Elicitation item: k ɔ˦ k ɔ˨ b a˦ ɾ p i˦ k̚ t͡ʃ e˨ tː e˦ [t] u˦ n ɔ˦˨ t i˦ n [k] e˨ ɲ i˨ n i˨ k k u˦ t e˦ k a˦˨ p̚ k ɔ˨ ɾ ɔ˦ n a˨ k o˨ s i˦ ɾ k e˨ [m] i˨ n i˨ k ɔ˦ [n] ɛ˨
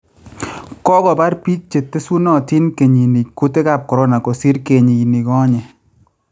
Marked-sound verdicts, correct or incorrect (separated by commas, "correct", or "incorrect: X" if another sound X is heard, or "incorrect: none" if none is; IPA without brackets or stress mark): incorrect: s, correct, incorrect: ɲ, incorrect: ɲ